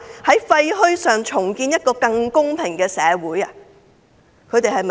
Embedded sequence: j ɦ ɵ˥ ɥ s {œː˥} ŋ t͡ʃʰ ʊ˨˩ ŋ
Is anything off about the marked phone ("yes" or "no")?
yes